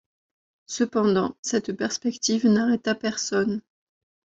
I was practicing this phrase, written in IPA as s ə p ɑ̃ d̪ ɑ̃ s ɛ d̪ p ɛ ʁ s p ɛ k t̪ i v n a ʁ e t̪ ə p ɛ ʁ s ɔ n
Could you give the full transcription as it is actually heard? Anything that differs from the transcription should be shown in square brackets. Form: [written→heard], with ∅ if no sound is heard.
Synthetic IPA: s ə p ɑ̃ d̪ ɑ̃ s ɛ [d̪→t̪] p ɛ ʁ s p ɛ k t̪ i v n a ʁ [e→ɛ] t̪ [ə→a] p ɛ ʁ s ɔ n